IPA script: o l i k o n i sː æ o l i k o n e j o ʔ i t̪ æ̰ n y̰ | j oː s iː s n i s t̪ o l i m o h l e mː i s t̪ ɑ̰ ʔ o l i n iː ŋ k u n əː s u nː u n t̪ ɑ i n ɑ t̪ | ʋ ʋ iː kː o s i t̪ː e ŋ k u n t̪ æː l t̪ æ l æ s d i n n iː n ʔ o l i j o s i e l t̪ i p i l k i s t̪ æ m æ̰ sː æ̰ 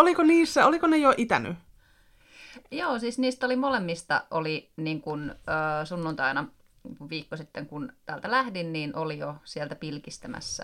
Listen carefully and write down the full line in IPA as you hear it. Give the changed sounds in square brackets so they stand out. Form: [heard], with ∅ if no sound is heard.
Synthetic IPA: o l i k o n [iː] sː æ o l i k o n e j o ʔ i t̪ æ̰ n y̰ | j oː s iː s n [iː] s t̪ o l i m o [∅] l e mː i s t̪ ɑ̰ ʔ o l i n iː ŋ k u n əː s u nː u n t̪ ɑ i n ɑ [∅] | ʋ ʋ iː kː o s i t̪ː e ŋ k u n t̪ æː l t̪ æ l æ [h] d i n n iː n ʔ o l i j o s i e l t̪ [æ] p i l k i s t̪ æ m æ̰ sː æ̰